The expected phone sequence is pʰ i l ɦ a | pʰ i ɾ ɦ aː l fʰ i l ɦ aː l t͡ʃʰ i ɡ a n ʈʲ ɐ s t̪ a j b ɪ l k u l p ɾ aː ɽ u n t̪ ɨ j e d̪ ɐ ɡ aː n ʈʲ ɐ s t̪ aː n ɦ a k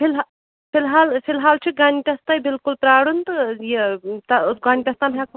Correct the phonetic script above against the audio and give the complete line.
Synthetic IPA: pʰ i l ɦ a | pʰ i l ɦ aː l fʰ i l ɦ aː l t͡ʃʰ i ɡ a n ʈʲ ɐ s t̪ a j b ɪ l k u l p ɾ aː ɽ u n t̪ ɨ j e t̪ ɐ ɡ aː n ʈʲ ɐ s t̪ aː n ɦ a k